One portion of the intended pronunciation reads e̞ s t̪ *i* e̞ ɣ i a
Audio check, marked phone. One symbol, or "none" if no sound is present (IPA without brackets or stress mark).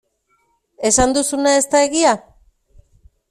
a